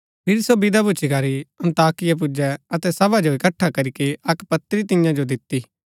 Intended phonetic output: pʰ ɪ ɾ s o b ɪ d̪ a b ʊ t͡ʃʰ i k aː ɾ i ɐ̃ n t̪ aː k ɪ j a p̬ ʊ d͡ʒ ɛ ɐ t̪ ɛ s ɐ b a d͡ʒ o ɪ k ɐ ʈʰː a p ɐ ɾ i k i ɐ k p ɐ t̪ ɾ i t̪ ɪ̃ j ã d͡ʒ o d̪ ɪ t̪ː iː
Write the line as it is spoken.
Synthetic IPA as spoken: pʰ ɪ ɾ s o b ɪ d̪ a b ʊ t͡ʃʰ i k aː ɾ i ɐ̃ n t̪ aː k ɪ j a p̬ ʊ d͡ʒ ɛ ɐ t̪ ɛ s ɐ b a d͡ʒ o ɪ k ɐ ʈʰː a k ɐ ɾ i k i ɐ k p ɐ t̪ ɾ i t̪ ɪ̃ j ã d͡ʒ o d̪ ɪ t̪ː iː